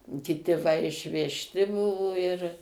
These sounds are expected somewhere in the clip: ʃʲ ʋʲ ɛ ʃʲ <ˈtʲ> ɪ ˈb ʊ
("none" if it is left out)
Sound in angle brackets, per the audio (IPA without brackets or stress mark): tʲ